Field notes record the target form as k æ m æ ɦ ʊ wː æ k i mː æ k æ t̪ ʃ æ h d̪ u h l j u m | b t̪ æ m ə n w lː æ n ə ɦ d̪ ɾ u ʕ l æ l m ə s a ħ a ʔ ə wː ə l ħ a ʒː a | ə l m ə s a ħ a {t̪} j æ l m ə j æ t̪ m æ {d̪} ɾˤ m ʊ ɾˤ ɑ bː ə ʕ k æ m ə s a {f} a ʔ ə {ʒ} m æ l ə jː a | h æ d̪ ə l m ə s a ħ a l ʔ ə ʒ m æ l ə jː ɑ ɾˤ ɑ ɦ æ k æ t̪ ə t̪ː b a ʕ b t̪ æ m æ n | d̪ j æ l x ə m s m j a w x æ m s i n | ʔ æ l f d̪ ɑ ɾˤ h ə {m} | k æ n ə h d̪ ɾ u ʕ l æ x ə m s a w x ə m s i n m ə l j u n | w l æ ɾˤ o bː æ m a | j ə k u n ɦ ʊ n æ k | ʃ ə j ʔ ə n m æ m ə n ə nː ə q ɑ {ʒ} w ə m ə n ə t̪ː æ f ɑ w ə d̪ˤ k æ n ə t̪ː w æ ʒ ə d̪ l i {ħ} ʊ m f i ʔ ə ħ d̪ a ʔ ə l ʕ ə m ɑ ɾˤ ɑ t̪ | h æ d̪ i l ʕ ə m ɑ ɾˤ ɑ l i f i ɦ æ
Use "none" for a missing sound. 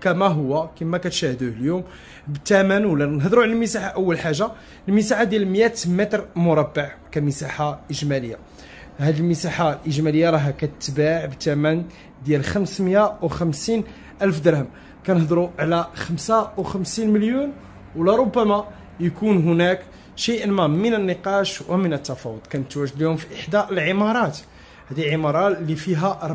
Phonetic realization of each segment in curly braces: d̪, t̪, ħ, ʒ, m, ʃ, h

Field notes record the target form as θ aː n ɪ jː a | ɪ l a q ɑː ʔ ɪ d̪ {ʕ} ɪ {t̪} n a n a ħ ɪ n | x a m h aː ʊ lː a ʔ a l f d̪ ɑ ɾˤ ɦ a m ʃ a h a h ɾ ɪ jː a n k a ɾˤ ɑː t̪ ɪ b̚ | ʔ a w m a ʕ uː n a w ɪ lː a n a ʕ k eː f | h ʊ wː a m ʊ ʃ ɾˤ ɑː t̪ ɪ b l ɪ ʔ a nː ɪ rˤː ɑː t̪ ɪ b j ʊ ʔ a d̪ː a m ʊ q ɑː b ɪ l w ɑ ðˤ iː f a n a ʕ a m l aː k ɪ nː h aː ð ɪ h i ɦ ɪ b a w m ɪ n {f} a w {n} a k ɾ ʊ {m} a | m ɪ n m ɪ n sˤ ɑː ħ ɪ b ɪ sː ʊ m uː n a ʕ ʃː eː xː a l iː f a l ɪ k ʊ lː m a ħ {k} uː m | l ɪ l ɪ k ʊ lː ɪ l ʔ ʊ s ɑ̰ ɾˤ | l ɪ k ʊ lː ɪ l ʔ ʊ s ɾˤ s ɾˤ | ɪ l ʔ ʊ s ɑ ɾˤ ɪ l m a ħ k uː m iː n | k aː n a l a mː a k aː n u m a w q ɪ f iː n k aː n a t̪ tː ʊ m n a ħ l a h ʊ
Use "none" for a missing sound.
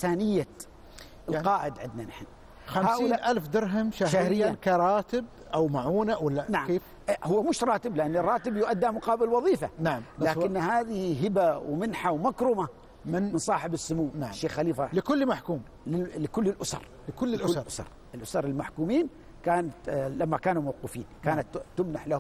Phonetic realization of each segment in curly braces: ʕ, d̪, ħ, m, m, k

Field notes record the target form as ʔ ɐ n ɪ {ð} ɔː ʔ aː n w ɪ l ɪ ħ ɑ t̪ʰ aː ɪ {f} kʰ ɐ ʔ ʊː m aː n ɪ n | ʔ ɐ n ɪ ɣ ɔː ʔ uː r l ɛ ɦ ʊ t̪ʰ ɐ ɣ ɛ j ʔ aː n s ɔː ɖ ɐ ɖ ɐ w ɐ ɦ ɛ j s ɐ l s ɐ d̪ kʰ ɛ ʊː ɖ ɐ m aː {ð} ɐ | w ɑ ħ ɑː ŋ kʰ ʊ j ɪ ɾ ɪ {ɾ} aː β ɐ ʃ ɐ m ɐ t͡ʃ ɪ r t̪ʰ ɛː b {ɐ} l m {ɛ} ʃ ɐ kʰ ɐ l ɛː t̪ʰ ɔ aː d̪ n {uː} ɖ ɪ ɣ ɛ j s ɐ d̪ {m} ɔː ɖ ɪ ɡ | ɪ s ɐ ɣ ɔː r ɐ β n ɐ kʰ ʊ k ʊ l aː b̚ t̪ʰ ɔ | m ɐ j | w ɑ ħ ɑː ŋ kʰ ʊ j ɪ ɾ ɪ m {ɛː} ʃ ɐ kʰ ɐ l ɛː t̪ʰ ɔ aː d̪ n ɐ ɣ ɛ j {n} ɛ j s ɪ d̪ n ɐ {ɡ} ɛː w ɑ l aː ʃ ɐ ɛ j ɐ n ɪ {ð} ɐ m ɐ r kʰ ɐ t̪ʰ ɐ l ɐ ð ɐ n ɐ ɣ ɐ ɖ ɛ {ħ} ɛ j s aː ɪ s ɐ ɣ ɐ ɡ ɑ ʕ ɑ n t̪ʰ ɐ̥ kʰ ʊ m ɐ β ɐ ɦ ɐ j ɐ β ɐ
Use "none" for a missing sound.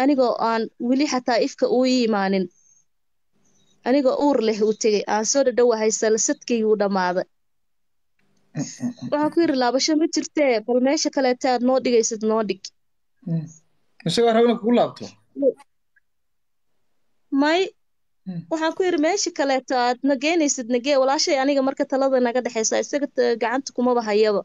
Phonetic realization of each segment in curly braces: ɣ, f, ð, l, ɐ, ɛː, ɔː, n, ɛː, n, ɡ, ɣ, ħ

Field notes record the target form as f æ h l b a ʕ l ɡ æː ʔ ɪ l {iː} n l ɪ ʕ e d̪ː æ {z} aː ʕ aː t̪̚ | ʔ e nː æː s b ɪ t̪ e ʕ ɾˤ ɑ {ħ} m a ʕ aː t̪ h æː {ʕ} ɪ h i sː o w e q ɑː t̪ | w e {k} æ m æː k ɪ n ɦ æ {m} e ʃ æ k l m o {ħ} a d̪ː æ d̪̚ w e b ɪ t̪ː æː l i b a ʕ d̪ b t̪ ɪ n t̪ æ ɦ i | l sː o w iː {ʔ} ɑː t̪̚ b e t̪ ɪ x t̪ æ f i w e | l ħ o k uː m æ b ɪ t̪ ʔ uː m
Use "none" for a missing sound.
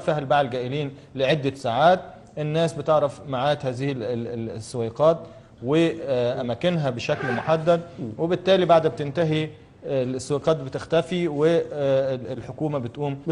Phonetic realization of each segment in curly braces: iː, s, f, z, ʔ, b, ħ, q

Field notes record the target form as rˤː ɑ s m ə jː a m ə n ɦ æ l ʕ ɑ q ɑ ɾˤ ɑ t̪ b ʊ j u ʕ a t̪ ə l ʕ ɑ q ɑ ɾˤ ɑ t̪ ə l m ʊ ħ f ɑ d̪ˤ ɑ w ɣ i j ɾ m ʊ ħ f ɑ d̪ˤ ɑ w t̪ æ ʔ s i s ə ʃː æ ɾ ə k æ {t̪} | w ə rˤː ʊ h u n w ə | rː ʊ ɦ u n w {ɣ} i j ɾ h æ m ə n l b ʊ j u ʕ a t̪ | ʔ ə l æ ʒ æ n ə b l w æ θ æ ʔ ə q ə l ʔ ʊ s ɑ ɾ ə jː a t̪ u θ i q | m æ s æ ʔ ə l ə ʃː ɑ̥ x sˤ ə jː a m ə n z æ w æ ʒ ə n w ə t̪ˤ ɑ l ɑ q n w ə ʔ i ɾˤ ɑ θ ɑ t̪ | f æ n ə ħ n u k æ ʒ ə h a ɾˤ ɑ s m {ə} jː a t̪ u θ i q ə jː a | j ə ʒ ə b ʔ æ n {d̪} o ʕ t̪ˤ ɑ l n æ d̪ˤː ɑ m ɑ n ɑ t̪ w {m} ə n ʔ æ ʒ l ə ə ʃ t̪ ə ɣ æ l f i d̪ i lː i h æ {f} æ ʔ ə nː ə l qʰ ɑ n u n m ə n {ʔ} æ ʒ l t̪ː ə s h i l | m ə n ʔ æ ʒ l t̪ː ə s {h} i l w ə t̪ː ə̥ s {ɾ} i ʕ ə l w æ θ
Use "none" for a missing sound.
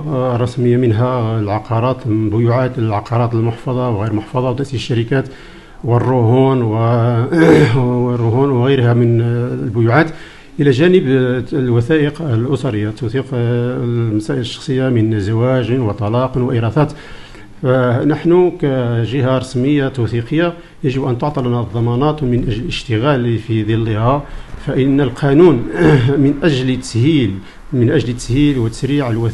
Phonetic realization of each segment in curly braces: t̪, ɣ, ə, t̪, m, f, ʔ, h, ɾ

